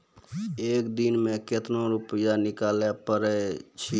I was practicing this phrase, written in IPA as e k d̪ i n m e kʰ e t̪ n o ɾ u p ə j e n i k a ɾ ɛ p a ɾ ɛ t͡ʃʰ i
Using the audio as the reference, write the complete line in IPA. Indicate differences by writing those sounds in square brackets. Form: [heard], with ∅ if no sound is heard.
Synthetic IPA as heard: e k d̪ i n m e [k] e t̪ n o ɾ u p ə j [a] n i k a [l] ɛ p [ə] ɾ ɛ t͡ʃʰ i